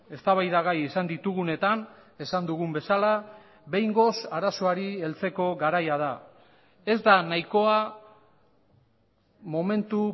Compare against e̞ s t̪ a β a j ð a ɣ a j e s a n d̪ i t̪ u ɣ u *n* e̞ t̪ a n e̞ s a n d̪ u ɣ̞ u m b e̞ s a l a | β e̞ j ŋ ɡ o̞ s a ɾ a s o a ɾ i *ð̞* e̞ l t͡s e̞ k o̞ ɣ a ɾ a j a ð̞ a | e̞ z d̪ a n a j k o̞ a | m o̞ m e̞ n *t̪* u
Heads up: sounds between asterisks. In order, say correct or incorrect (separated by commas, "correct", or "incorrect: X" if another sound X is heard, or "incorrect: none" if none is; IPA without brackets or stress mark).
correct, incorrect: none, correct